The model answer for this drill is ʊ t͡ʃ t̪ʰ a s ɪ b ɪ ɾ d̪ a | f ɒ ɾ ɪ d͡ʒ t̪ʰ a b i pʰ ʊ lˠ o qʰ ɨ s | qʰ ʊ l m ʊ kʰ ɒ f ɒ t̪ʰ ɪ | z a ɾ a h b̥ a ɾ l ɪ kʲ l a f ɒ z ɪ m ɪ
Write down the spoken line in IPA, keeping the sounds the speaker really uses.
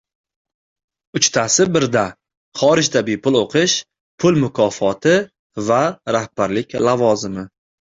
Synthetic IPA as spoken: ʊ t͡ʃ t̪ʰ a s ɪ b ɪ ɾ d̪ a | χ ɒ ɾ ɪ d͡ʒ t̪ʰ a b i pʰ ʊ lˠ o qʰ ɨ ʃ | pʰ ʊ l m ʊ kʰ ɒ f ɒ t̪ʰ ɪ | v a ɾ a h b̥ a ɾ l ɪ kʲ l a v ɒ z ɪ m ɪ